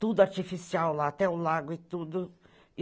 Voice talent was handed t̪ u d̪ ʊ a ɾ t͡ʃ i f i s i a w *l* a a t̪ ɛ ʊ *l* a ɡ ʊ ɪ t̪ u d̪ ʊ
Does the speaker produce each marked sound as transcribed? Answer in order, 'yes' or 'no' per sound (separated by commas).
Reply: yes, yes